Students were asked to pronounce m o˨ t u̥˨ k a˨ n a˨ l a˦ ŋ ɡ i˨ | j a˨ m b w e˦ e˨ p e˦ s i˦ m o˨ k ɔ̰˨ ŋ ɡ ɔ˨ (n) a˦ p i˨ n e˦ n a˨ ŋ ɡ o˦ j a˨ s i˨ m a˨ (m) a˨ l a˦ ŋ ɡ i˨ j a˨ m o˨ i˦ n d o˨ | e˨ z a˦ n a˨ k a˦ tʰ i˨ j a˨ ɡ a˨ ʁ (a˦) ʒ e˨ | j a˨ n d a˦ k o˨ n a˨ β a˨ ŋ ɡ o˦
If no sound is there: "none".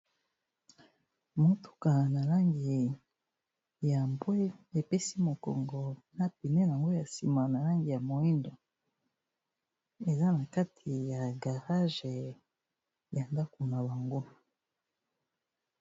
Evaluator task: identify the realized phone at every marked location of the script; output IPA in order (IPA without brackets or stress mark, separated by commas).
n, n, a˦